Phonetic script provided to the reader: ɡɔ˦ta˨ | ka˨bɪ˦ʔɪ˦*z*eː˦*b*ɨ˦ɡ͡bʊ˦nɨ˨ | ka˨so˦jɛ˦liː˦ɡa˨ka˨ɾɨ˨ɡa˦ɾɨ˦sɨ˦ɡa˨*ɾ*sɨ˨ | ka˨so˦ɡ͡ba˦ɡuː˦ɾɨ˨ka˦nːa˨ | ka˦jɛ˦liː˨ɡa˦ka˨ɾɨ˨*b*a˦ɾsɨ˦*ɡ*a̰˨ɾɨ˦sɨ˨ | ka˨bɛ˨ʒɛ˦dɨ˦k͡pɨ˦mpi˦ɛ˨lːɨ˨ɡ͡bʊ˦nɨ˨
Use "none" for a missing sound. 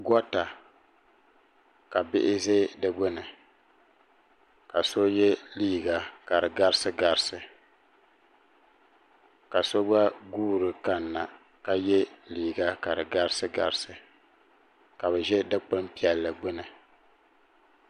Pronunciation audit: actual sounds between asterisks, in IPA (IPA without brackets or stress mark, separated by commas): z, d, ɾ, ɡ, ɡ